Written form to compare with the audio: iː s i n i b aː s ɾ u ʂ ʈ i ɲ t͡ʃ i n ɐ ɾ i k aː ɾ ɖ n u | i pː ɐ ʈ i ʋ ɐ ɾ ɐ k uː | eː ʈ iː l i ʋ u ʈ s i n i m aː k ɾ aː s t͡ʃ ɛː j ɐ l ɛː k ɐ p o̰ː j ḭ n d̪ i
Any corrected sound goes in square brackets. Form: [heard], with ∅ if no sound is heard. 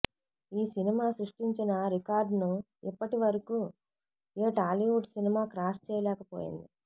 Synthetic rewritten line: iː s i n i [m] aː s ɾ u ʂ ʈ i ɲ t͡ʃ i n ɐ ɾ i k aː ɾ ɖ n u | i pː ɐ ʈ i ʋ ɐ ɾ ɐ k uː | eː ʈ [aː] l i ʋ u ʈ s i n i m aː k ɾ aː s t͡ʃ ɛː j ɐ l ɛː k ɐ p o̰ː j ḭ n d̪ i